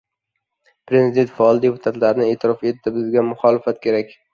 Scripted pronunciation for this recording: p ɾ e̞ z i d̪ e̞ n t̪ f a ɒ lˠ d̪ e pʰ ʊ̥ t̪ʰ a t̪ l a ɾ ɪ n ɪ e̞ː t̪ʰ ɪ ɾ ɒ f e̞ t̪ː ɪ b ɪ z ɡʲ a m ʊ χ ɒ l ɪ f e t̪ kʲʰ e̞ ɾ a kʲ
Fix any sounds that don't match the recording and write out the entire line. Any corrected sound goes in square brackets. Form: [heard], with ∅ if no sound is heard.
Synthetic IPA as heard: p ɾ e̞ z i d̪ e̞ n t̪ f a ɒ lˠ d̪ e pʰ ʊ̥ t̪ʰ a t̪ l a ɾ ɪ n ɪ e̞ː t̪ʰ ɪ ɾ ɒ f e̞ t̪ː ɪ b ɪ z ɡʲ a m ʊ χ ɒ l ɪ f [a] t̪ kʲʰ e̞ ɾ a kʲ